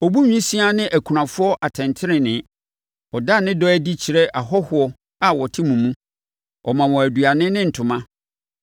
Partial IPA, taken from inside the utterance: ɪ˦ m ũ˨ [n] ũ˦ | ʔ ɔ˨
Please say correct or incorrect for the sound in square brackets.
incorrect